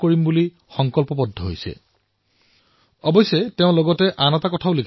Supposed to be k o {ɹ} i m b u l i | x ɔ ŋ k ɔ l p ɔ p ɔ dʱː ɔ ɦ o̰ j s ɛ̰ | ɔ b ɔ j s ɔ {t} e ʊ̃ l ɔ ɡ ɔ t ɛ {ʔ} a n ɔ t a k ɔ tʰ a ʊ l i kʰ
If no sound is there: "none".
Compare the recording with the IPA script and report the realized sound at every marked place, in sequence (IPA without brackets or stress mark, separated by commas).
ɹ, t, ʔ